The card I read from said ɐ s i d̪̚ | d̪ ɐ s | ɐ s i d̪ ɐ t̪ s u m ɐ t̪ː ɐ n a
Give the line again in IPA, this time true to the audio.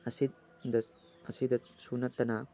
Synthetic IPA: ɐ s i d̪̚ | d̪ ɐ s | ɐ s i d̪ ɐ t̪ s u n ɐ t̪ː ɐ n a